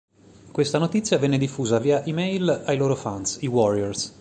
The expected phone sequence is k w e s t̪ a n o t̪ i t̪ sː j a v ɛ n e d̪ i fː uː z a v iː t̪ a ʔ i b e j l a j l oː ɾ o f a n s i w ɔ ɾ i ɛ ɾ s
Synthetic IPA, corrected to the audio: k w e s t̪ a n o t̪ i t̪ sː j a v ɛ nː e d̪ i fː uː z a v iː a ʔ i m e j l a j l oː ɾ o f a n s i w ɔ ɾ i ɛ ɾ s